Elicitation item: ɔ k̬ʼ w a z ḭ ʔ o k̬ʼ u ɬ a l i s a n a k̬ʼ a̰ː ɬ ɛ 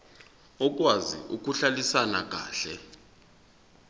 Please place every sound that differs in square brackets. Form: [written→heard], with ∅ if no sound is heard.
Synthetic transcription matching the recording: ɔ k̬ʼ w a z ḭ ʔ [o→u] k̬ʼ u ɬ a l i s a n a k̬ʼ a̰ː ɬ ɛ